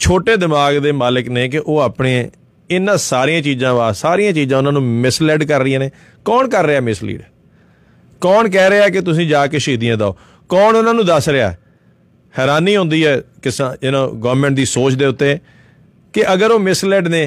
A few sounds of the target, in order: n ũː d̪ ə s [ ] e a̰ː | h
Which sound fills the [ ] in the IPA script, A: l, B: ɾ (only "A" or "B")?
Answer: B